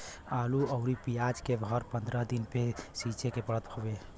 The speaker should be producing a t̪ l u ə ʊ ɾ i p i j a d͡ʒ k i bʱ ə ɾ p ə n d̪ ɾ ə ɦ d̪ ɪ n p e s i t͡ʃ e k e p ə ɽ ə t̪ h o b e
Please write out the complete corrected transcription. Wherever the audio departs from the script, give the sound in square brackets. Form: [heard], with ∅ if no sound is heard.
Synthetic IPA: a [∅] l u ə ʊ ɾ i p i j a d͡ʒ k [e] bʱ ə ɾ p ə n d̪ ɾ ə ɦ d̪ [i] n p e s i t͡ʃ e k e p ə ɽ ə t̪ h o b e